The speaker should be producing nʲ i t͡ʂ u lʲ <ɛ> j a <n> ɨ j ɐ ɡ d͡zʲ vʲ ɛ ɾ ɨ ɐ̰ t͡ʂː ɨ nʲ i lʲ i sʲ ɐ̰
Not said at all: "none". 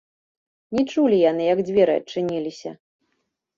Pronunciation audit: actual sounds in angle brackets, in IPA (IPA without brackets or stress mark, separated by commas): i, n